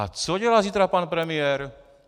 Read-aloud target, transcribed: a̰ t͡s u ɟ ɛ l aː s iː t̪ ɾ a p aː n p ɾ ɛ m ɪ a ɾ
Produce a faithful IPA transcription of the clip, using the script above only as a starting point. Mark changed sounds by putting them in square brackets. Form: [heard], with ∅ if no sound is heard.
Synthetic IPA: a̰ t͡s [ɔ] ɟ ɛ l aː [z] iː t̪ ɾ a p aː n p ɾ ɛ m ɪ [ɛ] ɾ

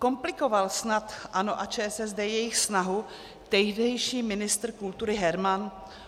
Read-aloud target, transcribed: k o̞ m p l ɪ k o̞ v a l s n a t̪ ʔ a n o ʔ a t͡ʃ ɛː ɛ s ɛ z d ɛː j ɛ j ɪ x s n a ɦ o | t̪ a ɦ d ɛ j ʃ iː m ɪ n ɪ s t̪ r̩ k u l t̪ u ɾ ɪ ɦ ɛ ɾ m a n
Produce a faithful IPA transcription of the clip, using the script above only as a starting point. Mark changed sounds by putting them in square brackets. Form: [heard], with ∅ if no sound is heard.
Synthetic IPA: k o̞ m p l ɪ k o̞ v a l s n a t̪ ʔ a n o ʔ a t͡ʃ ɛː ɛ s ɛ z d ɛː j ɛ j ɪ x s n a ɦ [u] | t̪ [ɛ] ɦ d ɛ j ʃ iː m ɪ n ɪ s t̪ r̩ k u l t̪ u ɾ ɪ ɦ ɛ ɾ m a n

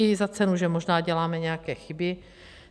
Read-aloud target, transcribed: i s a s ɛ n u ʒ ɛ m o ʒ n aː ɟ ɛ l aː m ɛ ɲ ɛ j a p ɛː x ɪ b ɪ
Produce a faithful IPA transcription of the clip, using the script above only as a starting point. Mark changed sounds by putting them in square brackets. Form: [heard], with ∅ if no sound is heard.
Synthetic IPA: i [z] a [t͡s] ɛ n u ʒ ɛ m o ʒ n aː ɟ ɛ l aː m ɛ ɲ ɛ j a [k] ɛː x ɪ b ɪ

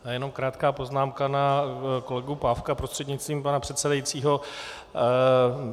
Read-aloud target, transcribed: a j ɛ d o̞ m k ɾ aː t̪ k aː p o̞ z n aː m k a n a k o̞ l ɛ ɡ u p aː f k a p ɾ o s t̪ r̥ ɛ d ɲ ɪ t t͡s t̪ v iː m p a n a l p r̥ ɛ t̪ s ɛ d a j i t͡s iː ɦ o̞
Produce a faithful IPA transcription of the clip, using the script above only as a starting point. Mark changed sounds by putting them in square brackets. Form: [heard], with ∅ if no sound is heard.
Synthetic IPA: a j ɛ [n] o̞ m k ɾ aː t̪ k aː p o̞ z n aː m k a n a k o̞ l ɛ ɡ u p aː f k a p ɾ o s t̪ r̥ ɛ d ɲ ɪ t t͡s t̪ v iː m p a n a [∅] p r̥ ɛ t̪ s ɛ d a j i t͡s iː ɦ o̞

